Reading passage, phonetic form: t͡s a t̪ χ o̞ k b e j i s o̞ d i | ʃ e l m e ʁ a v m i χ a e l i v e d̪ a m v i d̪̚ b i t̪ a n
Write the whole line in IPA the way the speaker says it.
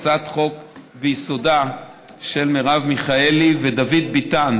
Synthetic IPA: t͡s a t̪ χ o̞ k b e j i s o̞ d a | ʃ e l m e ʁ a v m i χ a e l i v e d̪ a v i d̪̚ b i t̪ a n